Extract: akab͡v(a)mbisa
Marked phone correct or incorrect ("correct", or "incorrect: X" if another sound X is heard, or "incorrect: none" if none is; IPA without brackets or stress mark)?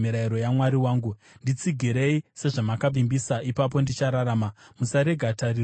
incorrect: i